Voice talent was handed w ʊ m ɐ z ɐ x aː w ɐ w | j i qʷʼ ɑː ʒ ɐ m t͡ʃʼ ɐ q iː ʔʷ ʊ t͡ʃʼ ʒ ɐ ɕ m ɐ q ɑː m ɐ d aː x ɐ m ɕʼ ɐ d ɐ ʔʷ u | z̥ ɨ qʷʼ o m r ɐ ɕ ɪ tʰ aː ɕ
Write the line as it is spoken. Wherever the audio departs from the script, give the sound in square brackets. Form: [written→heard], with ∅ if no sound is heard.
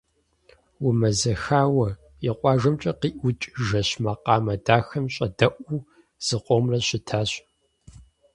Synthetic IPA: w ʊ m ɐ z ɐ x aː w ɐ [w→∅] | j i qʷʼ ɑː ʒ ɐ m t͡ʃʼ ɐ q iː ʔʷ ʊ t͡ʃʼ ʒ ɐ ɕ m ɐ q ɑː m ɐ d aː x ɐ m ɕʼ ɐ d ɐ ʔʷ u | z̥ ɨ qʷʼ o m r ɐ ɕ ɪ tʰ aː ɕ